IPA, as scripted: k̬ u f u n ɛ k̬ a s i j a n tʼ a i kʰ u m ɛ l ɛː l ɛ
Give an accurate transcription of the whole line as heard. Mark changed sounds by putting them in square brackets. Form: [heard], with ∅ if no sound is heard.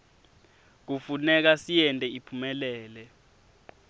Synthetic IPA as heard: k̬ u f u n ɛ k̬ a s i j [ɛ] n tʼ [ɛ] i [pʰ] u m ɛ l ɛː l ɛ